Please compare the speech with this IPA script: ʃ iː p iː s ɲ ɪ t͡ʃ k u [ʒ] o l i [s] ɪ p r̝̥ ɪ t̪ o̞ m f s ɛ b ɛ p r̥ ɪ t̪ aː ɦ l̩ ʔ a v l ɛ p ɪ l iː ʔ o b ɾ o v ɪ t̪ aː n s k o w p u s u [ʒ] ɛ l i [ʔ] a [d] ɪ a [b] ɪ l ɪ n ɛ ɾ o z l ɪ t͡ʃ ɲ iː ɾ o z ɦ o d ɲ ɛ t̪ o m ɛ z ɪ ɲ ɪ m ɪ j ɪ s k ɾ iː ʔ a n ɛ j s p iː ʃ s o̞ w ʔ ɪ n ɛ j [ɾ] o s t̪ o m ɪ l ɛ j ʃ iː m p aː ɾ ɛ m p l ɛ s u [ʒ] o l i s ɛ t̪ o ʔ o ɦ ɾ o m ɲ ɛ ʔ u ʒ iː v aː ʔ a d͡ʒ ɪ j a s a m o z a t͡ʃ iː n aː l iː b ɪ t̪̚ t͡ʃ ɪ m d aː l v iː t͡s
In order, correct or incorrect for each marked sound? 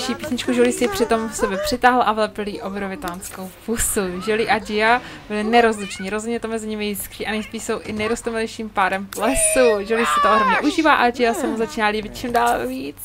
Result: correct, correct, correct, correct, incorrect, correct, correct, correct

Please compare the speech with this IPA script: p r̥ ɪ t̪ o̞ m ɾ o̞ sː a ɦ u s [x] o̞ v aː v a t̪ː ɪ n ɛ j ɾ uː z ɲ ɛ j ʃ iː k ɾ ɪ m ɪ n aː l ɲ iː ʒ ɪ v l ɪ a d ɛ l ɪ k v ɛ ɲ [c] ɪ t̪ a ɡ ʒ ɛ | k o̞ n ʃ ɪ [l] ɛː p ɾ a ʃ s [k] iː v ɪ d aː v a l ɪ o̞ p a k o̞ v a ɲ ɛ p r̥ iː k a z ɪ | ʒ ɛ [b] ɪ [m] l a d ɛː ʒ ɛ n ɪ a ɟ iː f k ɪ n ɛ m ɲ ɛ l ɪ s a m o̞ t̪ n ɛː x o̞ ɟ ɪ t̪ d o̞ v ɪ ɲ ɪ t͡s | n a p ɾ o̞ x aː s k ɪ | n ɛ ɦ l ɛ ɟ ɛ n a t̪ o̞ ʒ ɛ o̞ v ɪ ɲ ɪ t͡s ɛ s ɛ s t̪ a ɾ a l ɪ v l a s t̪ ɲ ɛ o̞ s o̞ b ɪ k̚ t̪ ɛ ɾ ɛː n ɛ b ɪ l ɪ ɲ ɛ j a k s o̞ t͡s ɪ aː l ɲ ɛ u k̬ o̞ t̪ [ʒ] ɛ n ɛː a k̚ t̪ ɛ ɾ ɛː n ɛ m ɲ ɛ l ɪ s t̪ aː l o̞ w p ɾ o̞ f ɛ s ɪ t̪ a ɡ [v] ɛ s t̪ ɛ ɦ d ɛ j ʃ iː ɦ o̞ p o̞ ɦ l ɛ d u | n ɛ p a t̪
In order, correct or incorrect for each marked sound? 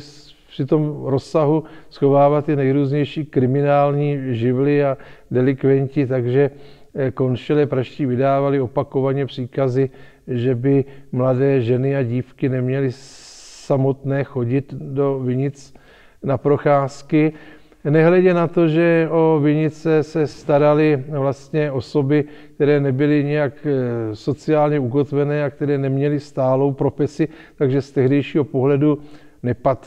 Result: correct, correct, correct, incorrect, correct, correct, incorrect, incorrect

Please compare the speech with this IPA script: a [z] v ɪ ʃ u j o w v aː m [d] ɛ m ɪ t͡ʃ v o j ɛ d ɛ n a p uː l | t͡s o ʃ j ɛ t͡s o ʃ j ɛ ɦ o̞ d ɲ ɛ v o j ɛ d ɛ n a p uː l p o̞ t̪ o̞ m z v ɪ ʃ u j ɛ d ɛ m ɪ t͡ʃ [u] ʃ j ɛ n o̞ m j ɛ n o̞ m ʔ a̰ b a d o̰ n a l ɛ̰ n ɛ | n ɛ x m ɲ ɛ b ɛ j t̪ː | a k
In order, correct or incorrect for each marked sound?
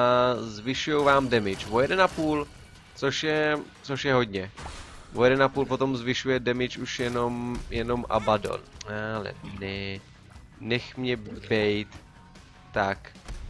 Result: correct, correct, correct

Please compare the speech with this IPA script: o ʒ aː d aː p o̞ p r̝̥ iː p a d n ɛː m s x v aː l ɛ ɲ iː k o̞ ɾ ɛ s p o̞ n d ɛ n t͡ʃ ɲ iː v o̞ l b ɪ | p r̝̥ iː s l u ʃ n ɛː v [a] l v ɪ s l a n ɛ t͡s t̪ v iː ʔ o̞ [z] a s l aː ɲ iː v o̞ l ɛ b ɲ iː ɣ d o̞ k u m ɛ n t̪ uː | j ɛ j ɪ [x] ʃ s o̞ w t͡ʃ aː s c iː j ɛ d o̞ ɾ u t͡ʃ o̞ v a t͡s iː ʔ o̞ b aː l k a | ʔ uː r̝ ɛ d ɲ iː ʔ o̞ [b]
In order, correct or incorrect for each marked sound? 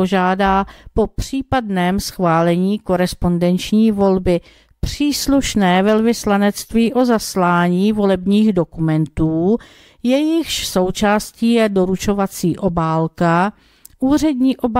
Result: incorrect, correct, correct, correct

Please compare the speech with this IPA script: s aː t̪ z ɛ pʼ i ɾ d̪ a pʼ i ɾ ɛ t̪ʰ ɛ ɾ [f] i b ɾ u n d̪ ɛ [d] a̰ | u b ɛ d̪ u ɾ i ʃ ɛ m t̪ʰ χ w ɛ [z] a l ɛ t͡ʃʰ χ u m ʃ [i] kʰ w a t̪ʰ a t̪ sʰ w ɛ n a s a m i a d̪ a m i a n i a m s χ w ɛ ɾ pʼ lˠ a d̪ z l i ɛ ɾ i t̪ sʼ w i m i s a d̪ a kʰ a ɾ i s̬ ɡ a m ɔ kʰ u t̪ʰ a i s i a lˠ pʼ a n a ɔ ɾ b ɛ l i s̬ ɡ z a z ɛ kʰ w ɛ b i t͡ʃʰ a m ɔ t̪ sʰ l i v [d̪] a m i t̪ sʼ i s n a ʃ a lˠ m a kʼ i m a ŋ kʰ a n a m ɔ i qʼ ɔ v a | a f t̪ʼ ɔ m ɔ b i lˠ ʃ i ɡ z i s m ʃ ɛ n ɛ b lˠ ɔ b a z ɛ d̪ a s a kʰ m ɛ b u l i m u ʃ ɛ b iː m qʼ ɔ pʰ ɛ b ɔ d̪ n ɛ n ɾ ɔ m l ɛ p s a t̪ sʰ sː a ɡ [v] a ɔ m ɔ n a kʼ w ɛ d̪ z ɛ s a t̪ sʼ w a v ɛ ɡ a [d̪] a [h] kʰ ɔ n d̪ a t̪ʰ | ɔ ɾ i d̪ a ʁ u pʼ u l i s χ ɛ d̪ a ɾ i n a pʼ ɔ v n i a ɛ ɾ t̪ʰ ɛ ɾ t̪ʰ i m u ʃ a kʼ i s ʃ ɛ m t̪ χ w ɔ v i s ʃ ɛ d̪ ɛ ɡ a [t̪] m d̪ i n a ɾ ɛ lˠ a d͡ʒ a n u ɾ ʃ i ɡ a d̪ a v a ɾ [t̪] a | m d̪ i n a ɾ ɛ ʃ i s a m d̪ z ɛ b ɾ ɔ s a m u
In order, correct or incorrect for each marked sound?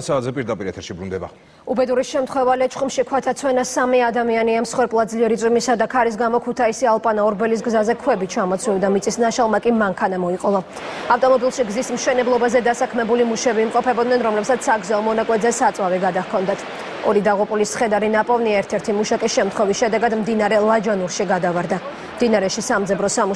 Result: incorrect, incorrect, incorrect, correct, correct, incorrect, correct, correct, incorrect, incorrect

